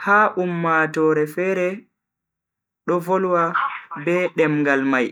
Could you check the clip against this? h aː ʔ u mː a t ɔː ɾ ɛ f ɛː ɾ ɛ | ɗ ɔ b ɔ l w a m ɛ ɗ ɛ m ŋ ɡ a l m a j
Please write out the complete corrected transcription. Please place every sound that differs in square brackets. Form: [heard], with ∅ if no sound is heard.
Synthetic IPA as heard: h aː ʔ u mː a t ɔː ɾ ɛ f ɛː ɾ ɛ | ɗ ɔ [v] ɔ l w a [b] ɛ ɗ ɛ m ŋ ɡ a l m a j